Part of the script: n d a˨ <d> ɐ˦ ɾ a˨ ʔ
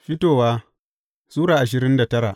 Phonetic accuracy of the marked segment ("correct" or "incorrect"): incorrect